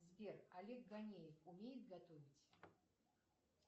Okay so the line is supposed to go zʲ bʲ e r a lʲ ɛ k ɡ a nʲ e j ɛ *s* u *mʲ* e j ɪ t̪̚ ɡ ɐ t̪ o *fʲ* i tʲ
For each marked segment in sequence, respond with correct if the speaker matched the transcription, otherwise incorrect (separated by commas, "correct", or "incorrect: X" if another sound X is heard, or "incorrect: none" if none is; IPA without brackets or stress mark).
incorrect: f, correct, incorrect: vʲ